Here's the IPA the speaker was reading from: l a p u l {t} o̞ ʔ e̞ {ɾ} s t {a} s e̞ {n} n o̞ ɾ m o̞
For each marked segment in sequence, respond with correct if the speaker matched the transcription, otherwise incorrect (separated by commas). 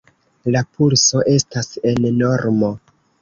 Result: incorrect, incorrect, correct, correct